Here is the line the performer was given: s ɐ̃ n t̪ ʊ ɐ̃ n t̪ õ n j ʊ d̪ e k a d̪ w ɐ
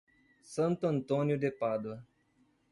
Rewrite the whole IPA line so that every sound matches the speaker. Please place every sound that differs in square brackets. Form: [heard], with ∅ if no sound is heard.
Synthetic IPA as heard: s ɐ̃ n t̪ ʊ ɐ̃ n t̪ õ n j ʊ d̪ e [p] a d̪ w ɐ